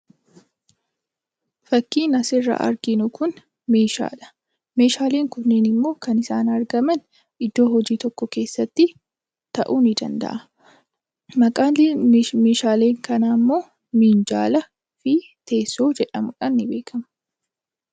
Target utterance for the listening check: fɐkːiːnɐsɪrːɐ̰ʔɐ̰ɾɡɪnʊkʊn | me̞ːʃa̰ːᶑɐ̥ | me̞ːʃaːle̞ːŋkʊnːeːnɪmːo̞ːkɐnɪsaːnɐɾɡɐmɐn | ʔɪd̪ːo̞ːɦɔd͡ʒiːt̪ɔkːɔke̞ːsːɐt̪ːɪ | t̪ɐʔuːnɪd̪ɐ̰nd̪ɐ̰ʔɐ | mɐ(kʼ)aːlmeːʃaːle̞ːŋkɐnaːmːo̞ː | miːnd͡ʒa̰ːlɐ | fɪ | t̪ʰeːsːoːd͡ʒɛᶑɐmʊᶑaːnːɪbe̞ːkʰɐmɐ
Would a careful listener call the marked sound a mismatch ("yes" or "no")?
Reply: no